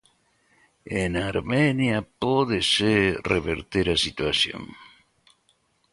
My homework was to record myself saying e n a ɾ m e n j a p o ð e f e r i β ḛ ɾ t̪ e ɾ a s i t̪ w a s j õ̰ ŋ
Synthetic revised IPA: e n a ɾ m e n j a p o ð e s e r e β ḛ ɾ t̪ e ɾ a s i t̪ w a s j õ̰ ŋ